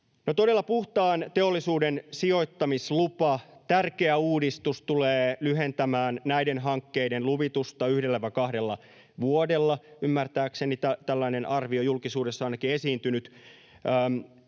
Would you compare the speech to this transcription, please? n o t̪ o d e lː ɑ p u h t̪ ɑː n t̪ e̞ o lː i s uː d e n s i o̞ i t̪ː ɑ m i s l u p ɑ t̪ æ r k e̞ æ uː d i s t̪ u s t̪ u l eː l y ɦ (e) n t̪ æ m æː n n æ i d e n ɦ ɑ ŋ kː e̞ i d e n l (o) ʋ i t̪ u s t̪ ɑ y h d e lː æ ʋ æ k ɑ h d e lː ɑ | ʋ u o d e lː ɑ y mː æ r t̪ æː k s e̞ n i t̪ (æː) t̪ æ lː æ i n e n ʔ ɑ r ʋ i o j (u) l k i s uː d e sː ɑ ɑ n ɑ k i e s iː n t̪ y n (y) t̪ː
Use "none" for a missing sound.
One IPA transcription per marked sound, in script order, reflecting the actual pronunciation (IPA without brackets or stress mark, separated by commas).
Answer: e, u, æ, u, y